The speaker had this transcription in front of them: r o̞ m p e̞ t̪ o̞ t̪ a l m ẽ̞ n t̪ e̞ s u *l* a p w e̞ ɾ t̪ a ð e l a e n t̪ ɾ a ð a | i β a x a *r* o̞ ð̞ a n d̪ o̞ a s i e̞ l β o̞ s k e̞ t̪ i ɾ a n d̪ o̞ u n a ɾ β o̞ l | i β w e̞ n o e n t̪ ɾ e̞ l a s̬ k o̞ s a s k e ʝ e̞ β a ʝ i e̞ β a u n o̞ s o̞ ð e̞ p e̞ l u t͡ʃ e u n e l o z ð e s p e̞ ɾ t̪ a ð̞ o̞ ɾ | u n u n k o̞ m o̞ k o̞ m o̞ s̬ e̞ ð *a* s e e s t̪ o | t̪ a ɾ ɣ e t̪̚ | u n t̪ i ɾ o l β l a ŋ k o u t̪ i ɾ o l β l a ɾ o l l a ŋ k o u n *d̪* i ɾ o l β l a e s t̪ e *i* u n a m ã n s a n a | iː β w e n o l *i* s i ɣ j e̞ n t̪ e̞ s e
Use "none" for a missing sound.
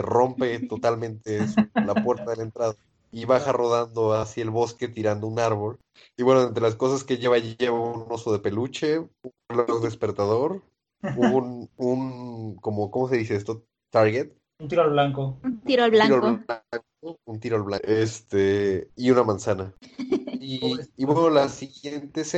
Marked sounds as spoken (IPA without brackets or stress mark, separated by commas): l, r, i, t̪, i, a